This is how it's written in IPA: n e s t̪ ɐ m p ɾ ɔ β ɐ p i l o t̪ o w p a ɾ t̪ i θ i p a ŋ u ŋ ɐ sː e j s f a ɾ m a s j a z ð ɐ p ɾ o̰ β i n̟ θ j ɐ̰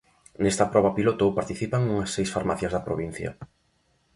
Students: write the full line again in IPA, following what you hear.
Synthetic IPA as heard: n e s t̪ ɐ p ɾ ɔ β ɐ p i l o t̪ o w p a ɾ t̪ i θ i p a ŋ u ŋ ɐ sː e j s f a ɾ m a θ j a z ð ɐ p ɾ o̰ β i n̟ θ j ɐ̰